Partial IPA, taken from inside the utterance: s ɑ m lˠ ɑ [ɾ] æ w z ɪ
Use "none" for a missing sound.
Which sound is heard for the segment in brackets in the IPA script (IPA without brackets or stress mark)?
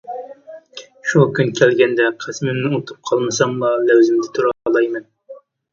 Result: l